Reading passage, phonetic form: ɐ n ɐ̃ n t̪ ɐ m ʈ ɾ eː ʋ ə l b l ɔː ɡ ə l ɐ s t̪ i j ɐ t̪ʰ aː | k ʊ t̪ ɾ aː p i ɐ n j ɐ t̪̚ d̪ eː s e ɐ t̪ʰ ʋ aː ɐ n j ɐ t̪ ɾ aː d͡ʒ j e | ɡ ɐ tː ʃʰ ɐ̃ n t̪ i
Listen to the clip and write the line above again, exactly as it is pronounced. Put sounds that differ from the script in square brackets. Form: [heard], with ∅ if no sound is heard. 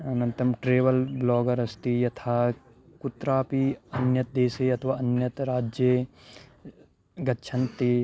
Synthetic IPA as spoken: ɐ n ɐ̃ n t̪ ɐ m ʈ ɾ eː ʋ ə l b l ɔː ɡ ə [ɾ] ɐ s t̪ i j ɐ t̪ʰ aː | k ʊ t̪ ɾ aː p i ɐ n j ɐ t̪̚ d̪ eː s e ɐ t̪ʰ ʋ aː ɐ n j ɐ t̪ ɾ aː d͡ʒ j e | ɡ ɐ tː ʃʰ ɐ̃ n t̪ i